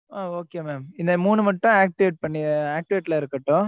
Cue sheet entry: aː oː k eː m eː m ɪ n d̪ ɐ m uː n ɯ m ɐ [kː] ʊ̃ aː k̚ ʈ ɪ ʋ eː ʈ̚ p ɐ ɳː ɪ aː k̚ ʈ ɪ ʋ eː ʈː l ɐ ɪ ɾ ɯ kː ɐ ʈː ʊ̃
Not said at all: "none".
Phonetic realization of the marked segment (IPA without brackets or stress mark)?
ʈː